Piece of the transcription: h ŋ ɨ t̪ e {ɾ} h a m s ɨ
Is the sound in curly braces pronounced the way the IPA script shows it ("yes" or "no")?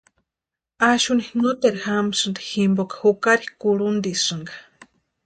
yes